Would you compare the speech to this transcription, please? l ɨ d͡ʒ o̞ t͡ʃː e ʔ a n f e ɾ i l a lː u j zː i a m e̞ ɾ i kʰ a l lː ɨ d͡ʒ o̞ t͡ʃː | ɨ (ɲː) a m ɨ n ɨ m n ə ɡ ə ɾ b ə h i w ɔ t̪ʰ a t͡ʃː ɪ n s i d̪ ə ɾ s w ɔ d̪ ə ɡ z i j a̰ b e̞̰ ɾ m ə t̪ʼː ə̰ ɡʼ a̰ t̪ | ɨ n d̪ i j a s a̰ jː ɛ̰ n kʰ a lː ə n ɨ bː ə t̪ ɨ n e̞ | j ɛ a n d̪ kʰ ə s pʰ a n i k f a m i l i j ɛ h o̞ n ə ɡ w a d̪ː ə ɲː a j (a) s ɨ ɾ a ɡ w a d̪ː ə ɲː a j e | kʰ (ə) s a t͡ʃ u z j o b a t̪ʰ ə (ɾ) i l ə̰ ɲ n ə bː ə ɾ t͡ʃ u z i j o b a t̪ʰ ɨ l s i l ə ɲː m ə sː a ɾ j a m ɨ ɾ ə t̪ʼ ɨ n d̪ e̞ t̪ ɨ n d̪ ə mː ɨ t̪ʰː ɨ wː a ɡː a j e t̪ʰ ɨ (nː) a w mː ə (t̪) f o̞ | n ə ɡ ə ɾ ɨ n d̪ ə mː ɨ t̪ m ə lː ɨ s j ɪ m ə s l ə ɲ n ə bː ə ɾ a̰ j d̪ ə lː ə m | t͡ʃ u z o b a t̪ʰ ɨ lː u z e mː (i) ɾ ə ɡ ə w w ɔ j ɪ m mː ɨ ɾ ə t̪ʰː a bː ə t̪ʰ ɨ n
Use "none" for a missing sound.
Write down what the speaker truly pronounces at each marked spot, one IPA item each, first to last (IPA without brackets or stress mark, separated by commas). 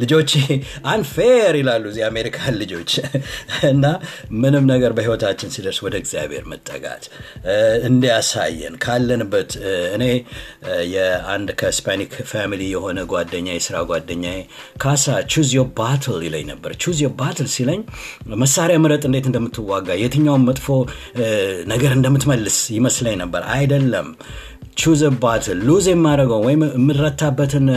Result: nː, ɛ, a, l, ɲː, t̪ʼ, a